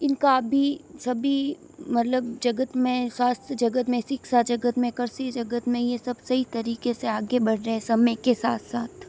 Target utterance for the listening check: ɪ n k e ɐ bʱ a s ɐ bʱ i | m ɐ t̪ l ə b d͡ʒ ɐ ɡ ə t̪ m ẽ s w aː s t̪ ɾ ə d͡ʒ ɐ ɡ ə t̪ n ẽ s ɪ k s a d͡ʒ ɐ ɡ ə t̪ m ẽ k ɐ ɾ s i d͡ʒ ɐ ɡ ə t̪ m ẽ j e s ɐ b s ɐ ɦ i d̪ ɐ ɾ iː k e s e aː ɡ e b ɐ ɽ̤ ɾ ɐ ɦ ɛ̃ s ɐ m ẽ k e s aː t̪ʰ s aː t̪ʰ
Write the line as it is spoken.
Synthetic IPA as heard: ɪ n k a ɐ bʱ i s ɐ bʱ i | m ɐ t̪ l ə b d͡ʒ ɐ ɡ ə t̪ m ẽ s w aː s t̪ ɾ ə d͡ʒ ɐ ɡ ə t̪ m ẽ s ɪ k s a d͡ʒ ɐ ɡ ə t̪ m ẽ k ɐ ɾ s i d͡ʒ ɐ ɡ ə t̪ m ẽ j e s ɐ b s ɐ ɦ i t̪ ɐ ɾ iː k e s e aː ɡ e b ɐ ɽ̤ ɾ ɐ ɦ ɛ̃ s ɐ m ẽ k e s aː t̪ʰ s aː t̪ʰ

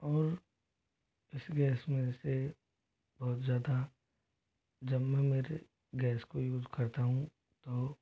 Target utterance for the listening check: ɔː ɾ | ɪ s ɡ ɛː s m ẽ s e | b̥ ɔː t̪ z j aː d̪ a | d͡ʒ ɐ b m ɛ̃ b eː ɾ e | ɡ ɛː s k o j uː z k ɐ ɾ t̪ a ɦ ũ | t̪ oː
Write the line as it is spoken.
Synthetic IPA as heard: ɔː ɾ | ɪ s ɡ ɛː s m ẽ s e | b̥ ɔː t̪ z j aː d̪ a | d͡ʒ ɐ b m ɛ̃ m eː ɾ e | ɡ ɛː s k o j uː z k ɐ ɾ t̪ a ɦ ũ | t̪ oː

